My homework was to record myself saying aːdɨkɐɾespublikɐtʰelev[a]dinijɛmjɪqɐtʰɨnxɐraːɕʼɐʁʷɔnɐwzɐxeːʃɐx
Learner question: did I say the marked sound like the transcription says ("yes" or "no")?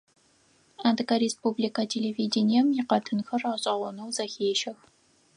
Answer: no